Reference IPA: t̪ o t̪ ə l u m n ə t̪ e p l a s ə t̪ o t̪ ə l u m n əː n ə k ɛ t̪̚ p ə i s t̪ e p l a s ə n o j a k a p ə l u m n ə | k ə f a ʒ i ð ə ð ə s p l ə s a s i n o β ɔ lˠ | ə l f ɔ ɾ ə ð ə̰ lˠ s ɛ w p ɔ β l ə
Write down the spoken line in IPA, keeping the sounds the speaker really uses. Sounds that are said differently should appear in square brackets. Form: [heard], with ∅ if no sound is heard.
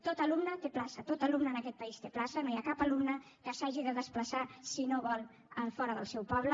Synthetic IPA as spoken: t̪ o t̪ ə l u m n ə t̪ e p l a s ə t̪ o t̪ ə l u m n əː n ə k ɛ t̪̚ p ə i s t̪ e p l a s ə n o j a k a p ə l u m n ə | k ə [s] a ʒ i ð ə ð ə s p l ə s a s i n o β ɔ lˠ | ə l f ɔ ɾ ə ð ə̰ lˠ s ɛ w p ɔ β l ə